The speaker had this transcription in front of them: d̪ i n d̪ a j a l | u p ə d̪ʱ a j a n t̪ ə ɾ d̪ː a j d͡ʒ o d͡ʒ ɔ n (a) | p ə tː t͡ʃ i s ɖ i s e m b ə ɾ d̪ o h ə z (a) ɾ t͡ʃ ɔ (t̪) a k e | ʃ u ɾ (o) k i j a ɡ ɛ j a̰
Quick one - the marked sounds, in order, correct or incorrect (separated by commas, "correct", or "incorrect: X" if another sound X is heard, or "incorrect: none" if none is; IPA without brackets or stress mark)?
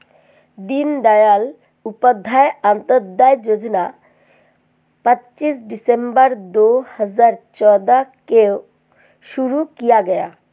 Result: correct, correct, incorrect: d̪, incorrect: u